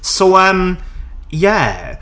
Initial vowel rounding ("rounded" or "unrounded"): rounded